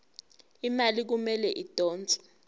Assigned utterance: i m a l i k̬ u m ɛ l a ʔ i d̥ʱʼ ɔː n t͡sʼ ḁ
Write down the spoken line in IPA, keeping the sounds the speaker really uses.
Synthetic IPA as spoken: i m a l i k̬ u m ɛ l ɛ ʔ i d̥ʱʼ ɔː n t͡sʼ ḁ